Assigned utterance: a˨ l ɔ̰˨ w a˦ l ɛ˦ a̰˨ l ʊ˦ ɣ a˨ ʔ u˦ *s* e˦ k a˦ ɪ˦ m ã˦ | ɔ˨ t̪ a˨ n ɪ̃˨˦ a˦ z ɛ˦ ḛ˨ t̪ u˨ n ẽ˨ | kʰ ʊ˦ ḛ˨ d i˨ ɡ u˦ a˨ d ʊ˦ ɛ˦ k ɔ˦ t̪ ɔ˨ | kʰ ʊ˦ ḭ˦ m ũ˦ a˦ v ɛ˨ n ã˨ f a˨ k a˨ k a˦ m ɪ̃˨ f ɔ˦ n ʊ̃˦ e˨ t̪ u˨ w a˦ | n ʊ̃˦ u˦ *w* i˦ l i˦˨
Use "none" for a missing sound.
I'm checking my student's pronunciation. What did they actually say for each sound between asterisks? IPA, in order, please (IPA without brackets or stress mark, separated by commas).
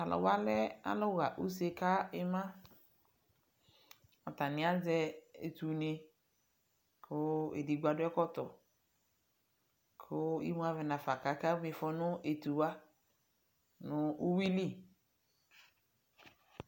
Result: s, w